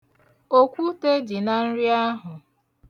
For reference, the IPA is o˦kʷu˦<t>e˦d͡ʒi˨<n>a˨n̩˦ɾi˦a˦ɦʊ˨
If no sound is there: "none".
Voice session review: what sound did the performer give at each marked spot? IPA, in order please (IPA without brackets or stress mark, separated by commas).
t, n